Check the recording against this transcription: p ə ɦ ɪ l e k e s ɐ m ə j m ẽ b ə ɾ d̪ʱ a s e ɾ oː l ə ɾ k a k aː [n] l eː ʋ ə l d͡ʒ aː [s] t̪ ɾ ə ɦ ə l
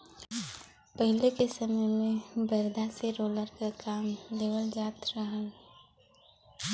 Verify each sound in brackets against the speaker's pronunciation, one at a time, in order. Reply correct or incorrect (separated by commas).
incorrect, incorrect